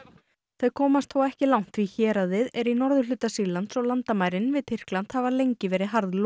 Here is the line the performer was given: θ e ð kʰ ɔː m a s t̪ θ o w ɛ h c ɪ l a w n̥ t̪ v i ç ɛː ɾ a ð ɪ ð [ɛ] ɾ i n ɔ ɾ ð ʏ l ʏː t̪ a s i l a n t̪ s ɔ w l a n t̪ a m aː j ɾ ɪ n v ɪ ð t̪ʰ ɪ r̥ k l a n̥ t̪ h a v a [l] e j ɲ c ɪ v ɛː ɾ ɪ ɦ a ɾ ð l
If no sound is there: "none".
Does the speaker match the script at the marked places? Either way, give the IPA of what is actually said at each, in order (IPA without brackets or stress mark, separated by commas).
ɛ, l